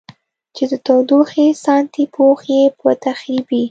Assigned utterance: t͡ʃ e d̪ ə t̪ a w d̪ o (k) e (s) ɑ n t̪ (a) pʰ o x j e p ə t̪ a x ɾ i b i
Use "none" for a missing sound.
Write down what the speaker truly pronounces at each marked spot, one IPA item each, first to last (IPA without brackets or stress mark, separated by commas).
x, s, i